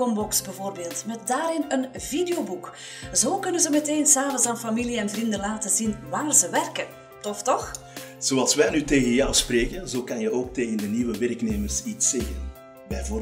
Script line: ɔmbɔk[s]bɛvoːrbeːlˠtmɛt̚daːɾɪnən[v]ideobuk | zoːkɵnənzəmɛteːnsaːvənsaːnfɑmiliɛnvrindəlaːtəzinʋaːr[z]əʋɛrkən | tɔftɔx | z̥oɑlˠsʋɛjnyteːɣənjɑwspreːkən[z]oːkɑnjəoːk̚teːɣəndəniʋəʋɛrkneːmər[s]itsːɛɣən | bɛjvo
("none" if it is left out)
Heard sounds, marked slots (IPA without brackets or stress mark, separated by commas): s, v, z, z, s